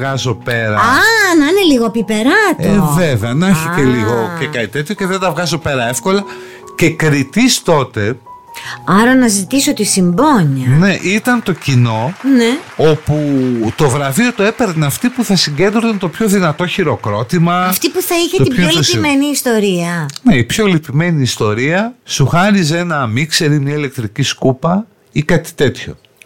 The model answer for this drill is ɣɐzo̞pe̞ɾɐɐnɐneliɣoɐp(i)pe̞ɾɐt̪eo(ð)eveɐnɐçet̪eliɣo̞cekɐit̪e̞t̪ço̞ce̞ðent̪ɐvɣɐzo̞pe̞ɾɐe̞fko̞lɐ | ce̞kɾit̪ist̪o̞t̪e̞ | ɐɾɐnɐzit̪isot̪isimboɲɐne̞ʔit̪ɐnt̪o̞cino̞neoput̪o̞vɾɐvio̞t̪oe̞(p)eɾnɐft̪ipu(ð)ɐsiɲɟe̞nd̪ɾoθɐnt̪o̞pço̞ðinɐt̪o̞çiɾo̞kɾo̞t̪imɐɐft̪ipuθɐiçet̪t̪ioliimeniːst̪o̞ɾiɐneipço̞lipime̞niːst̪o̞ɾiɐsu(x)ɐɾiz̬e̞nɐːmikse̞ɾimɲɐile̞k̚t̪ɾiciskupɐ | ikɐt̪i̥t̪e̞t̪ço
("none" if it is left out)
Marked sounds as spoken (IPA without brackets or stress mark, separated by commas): i, v, p, θ, x